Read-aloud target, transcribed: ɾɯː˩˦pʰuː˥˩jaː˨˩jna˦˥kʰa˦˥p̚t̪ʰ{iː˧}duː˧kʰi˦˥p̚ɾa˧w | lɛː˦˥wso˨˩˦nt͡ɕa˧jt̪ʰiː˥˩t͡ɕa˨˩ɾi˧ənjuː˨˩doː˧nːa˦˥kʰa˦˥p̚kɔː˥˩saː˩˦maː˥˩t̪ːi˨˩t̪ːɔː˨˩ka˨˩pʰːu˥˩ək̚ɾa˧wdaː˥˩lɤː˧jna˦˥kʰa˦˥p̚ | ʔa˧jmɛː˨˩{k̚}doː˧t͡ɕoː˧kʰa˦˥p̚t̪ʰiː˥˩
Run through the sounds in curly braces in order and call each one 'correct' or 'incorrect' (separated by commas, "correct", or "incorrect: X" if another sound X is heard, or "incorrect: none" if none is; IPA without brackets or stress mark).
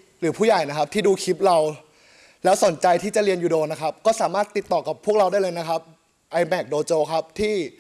incorrect: iː˥˩, correct